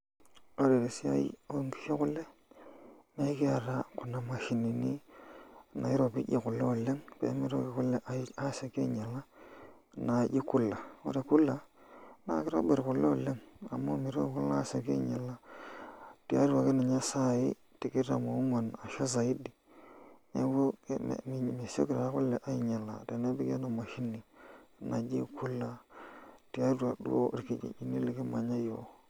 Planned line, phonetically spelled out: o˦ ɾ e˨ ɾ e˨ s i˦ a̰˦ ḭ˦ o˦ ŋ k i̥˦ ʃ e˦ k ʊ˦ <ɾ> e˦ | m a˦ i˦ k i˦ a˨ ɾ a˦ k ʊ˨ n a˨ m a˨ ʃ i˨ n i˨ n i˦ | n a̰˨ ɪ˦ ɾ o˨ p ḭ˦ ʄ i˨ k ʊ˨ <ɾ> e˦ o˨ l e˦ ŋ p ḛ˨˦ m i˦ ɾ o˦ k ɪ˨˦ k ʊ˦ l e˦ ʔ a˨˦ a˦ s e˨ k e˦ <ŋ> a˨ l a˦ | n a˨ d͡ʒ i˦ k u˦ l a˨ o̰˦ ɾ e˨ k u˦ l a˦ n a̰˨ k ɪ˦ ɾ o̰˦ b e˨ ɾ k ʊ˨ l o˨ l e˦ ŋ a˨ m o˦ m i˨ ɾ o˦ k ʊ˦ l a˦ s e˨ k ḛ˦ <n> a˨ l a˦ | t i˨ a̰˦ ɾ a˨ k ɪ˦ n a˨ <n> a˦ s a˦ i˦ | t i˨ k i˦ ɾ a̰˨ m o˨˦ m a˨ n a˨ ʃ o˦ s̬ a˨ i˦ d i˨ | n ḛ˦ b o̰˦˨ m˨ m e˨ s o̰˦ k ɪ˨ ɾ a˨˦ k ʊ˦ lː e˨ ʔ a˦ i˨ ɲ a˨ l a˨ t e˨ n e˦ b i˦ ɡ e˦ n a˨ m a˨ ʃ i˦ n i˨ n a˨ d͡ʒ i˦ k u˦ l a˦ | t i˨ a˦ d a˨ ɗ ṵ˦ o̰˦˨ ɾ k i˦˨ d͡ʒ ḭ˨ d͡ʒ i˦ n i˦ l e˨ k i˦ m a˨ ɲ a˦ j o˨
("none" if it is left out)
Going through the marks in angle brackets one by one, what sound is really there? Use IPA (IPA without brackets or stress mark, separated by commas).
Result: l, l, ɲ, ɲ, ɲ